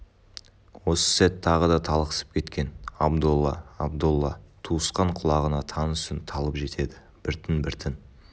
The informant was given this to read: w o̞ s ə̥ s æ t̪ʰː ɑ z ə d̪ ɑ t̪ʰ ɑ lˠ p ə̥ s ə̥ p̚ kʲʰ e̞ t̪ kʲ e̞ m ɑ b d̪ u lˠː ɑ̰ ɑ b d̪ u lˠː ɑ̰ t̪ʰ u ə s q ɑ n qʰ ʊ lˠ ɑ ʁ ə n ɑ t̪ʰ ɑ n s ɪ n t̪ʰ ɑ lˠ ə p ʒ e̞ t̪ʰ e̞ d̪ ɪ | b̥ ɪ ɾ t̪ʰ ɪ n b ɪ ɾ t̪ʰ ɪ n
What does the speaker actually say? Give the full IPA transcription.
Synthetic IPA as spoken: w o̞ s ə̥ s æ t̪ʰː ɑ ʁ ə d̪ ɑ t̪ʰ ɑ lˠ q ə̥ s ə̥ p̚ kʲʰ e̞ t̪ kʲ e̞ n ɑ b d̪ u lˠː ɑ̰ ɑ b d̪ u lˠː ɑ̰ t̪ʰ u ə s q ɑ ɴ qʰ ʊ lˠ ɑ ʁ ə n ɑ t̪ʰ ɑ n s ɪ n t̪ʰ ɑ lˠ ə p ʒ e̞ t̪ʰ e̞ d̪ ɪ | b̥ ɪ ɾ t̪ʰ ɪ n b ɪ ɾ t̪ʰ ɪ n